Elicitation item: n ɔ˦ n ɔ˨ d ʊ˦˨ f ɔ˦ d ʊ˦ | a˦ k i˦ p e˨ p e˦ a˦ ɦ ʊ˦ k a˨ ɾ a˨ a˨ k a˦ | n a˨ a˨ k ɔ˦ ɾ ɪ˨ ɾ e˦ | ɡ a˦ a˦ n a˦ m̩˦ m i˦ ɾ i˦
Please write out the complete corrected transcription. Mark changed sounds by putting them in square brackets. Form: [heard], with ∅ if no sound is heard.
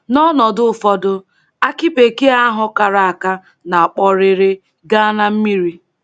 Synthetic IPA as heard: n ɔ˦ n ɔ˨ d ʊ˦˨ f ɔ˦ d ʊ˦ | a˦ k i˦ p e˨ [k] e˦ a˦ ɦ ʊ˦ k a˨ ɾ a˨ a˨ k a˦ | n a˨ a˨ [k͡p] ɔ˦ ɾ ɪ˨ ɾ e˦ | ɡ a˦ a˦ n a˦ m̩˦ m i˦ ɾ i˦

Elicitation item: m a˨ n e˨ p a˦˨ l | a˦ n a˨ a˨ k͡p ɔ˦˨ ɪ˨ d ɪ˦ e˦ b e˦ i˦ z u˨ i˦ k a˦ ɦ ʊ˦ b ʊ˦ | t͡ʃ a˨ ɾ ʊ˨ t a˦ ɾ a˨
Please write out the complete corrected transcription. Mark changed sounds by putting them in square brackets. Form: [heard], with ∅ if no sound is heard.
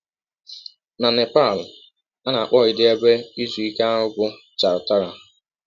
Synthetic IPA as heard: [n] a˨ n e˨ p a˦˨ l | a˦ n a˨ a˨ k͡p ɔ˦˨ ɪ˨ d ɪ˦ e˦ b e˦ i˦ z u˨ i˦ k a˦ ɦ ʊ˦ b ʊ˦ | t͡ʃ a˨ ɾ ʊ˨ t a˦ ɾ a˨

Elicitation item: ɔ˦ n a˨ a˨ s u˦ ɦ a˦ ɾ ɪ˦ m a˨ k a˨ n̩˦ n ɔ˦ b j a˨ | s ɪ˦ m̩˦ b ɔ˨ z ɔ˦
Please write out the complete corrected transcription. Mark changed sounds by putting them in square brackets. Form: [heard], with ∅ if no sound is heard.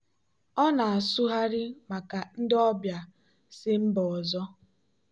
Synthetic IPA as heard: ɔ˦ n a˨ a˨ s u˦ ɦ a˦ ɾ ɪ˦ m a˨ k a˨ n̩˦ [d] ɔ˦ b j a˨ | s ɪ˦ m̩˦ b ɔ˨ z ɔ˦

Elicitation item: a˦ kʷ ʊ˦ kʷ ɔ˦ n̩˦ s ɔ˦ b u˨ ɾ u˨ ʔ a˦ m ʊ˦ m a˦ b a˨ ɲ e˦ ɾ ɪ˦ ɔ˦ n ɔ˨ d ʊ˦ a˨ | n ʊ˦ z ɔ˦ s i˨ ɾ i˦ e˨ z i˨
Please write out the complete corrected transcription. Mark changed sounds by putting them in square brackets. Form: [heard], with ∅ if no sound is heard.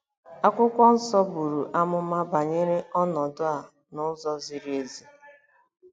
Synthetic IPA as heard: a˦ kʷ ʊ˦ kʷ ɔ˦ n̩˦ s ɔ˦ b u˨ ɾ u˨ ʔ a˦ m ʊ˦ m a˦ b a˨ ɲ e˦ ɾ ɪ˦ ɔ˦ n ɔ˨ d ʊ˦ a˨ | n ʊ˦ z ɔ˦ [z] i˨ ɾ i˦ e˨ z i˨

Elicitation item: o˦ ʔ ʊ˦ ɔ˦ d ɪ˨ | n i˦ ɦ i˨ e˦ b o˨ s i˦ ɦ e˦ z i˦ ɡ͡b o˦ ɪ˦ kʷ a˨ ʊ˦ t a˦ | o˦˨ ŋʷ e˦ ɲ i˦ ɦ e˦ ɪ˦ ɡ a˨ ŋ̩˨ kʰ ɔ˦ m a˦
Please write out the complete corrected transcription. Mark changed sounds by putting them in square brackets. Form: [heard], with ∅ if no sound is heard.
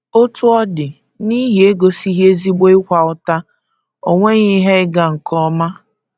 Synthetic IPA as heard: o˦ [t] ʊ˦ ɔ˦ d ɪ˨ | n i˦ ɦ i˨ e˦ [ɡ] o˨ s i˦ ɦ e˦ z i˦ ɡ͡b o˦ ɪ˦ kʷ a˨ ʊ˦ t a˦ | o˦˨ ŋʷ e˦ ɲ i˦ ɦ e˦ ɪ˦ ɡ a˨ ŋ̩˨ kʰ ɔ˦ m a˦

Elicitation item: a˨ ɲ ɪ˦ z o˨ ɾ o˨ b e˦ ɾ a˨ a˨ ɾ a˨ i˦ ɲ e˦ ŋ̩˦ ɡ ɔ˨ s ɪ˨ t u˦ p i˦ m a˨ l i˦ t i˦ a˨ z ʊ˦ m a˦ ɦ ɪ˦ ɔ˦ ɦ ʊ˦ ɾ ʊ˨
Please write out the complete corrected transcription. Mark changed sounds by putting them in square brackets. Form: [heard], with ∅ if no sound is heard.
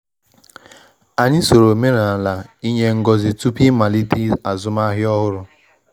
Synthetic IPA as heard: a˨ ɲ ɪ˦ [s] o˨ ɾ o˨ [m] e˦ ɾ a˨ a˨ [l] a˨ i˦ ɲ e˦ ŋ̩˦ ɡ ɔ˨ [z] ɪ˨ t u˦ p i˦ m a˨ l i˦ t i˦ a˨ z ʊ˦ m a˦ ɦ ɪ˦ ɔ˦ ɦ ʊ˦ ɾ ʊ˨

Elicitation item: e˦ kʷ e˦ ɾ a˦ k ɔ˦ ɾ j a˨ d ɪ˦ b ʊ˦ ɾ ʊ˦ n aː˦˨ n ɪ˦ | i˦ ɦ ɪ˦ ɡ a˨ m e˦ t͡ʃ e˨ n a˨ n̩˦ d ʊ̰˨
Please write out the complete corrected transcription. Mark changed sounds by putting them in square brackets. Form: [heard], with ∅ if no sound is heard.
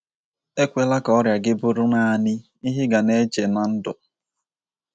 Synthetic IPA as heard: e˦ kʷ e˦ [l] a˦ k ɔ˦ ɾ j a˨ [ɡ] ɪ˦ b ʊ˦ ɾ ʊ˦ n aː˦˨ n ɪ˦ | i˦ ɦ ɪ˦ ɡ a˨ [n] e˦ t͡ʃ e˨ n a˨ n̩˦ d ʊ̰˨

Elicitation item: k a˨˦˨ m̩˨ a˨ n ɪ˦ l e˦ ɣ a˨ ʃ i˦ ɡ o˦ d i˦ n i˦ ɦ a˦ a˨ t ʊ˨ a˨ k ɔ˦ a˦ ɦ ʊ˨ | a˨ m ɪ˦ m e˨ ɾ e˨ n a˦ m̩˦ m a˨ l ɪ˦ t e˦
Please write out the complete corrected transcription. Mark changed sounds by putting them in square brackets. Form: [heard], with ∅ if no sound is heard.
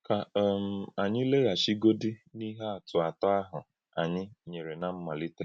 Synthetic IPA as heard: k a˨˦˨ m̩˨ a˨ [ɲ] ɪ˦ l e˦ ɣ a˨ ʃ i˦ ɡ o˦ d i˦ n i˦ ɦ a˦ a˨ t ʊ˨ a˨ [t] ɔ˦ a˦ ɦ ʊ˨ | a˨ [ɲ] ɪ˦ [ɲ] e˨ ɾ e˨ n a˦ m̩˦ m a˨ l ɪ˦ t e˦

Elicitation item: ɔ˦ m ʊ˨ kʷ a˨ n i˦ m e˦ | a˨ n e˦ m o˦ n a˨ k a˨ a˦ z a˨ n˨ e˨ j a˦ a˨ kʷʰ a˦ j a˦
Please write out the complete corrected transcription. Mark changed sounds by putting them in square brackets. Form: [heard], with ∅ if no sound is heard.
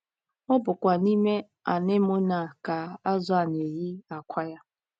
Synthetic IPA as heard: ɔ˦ [b] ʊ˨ kʷ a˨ n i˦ m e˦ | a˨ n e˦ m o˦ n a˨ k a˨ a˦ z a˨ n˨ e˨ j [i˦] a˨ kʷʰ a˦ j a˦

